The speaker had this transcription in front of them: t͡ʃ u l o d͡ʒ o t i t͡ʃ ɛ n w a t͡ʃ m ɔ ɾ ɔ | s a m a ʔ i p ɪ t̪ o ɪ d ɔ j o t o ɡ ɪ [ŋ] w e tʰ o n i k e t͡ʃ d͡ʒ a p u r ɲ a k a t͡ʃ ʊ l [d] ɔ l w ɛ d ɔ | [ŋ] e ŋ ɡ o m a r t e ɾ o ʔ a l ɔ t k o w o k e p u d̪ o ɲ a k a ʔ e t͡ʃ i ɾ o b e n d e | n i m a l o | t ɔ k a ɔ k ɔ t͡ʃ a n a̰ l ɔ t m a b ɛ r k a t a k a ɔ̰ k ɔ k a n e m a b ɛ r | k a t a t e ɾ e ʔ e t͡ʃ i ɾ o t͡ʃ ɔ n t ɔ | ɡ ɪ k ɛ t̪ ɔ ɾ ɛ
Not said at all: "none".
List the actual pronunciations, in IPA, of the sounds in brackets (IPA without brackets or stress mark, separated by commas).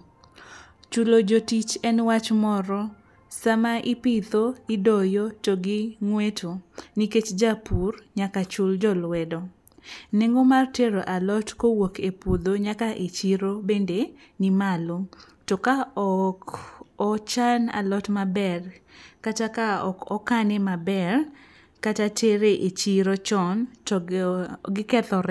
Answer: ŋ, d͡ʒ, n